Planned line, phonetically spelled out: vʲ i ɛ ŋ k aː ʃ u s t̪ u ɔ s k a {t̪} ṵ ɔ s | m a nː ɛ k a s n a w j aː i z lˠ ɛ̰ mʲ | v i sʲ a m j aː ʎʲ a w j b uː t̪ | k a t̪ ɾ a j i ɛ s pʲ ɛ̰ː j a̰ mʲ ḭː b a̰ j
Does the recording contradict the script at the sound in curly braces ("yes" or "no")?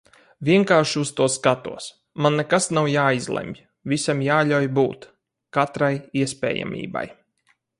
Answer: no